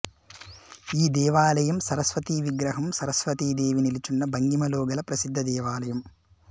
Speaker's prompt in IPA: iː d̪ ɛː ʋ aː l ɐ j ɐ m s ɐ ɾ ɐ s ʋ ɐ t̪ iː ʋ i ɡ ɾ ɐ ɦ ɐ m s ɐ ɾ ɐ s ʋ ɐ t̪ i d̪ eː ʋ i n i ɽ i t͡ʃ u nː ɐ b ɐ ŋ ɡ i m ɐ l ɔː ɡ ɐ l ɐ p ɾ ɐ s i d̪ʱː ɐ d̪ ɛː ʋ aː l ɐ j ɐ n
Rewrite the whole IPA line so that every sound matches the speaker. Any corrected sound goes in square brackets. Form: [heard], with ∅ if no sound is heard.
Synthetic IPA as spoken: iː d̪ ɛː ʋ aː l ɐ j ɐ m s ɐ ɾ ɐ s ʋ ɐ t̪ iː ʋ i ɡ ɾ ɐ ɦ ɐ m s ɐ ɾ ɐ s ʋ ɐ t̪ [iː] d̪ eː ʋ i n i [l] i t͡ʃ u nː ɐ b ɐ ŋ ɡ i m ɐ l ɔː ɡ ɐ l ɐ p ɾ ɐ s i d̪ʱː ɐ d̪ ɛː ʋ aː l ɐ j ɐ [m]